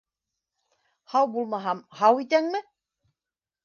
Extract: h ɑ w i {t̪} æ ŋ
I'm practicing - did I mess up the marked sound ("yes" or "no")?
no